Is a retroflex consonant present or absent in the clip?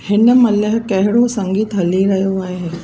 present